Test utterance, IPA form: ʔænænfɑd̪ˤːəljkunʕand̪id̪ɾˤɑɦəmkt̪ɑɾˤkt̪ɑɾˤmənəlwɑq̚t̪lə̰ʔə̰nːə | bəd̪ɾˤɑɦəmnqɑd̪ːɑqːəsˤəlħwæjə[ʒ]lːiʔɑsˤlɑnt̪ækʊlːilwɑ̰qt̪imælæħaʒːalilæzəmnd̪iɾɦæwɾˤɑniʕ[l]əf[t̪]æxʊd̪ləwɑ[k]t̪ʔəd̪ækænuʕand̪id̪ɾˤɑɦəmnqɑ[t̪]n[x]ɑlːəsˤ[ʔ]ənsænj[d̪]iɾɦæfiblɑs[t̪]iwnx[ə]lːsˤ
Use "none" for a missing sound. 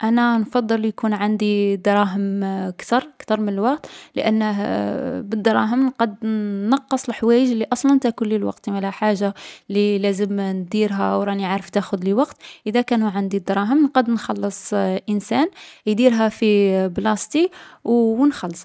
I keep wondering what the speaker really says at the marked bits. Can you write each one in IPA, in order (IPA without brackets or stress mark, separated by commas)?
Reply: ʒ, ɾ, t̪, q, d̪, x, ʔ, d̪, t̪, ɑ